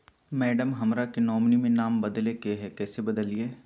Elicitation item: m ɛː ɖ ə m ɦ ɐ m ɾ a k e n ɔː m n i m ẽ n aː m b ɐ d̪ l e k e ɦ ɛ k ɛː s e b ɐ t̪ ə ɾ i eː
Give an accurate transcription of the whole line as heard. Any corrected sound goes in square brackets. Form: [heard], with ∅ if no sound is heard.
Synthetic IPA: m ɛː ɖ ə m ɦ ɐ m ɾ a k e n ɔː m n i m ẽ n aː m b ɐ d̪ l e k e ɦ ɛ k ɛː s e b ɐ [d̪] ə [l] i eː